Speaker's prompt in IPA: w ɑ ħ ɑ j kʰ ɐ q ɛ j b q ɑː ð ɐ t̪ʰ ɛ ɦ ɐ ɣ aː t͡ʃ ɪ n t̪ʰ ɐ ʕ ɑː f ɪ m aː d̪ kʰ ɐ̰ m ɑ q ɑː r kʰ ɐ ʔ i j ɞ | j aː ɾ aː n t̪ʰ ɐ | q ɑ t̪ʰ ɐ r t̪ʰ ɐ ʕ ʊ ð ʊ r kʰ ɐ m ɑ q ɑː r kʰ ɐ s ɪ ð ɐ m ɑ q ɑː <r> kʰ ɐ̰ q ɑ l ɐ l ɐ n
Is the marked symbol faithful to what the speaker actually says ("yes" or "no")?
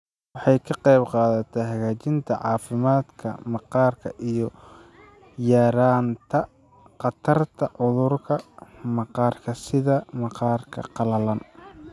yes